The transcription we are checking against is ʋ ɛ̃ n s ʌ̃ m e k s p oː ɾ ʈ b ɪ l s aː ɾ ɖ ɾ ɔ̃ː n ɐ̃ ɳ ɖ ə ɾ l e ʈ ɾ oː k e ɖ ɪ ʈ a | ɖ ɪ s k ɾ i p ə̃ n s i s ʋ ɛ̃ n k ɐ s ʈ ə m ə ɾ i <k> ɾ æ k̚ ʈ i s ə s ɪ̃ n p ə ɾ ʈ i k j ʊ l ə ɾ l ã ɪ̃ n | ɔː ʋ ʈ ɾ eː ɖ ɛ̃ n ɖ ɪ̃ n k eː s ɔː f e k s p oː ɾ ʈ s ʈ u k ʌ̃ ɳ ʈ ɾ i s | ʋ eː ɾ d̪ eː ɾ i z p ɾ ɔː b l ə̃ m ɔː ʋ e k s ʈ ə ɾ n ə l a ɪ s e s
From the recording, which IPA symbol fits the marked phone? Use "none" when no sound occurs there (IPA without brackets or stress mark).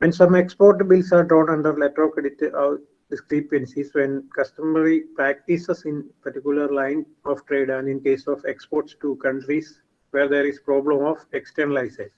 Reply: p